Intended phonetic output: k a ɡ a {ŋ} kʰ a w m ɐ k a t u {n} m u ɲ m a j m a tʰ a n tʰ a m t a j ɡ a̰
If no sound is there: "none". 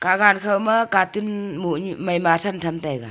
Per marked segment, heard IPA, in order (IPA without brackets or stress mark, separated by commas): n, n